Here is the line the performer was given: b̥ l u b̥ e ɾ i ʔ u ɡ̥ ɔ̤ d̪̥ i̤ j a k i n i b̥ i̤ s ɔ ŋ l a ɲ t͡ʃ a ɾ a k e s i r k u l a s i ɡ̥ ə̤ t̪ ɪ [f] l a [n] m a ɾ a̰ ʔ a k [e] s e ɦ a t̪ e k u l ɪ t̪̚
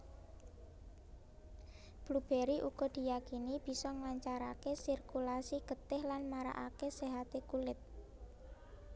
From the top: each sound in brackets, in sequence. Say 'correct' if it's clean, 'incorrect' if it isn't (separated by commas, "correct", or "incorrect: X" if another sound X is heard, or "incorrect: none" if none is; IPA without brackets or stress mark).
incorrect: h, correct, correct